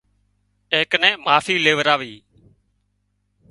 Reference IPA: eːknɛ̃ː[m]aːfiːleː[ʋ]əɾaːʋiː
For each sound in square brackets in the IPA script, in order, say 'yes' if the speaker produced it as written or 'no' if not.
yes, yes

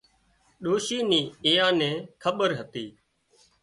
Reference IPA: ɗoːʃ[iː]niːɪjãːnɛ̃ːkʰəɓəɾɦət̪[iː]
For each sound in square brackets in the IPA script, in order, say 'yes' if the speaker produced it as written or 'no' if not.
yes, yes

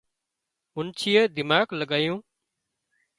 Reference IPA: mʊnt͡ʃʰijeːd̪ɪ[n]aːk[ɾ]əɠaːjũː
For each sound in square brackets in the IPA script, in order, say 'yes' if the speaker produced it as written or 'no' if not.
no, no

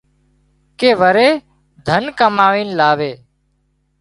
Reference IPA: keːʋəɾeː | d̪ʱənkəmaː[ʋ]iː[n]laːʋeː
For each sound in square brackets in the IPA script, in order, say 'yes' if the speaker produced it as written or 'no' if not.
yes, yes

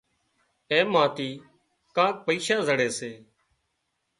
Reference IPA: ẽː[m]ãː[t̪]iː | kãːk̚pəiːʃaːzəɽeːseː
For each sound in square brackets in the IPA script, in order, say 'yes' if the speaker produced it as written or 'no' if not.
yes, yes

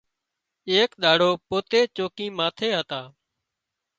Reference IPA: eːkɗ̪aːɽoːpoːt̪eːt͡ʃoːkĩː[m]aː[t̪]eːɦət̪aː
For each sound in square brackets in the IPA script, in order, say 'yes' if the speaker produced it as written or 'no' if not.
yes, no

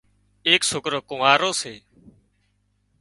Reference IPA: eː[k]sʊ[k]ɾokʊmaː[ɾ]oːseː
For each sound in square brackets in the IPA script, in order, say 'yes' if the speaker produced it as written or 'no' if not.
yes, yes, yes

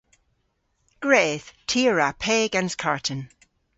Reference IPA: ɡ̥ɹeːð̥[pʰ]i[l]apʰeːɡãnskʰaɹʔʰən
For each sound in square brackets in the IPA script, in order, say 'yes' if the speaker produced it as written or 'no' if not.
no, no

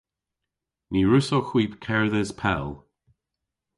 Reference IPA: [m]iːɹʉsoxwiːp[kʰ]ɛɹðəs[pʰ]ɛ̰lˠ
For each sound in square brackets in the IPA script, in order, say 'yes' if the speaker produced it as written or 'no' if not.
no, yes, yes

